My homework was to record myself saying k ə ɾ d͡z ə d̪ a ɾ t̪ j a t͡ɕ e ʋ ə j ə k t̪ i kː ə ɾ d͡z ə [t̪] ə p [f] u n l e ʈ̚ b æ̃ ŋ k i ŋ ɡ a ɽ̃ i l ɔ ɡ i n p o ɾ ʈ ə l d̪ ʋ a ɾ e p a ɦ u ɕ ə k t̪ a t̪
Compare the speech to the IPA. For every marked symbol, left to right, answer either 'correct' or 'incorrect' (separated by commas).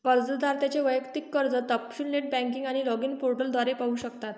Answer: correct, incorrect